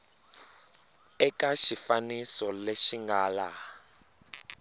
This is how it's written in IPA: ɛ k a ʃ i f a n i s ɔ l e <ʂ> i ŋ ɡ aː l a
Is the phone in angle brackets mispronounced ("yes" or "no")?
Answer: yes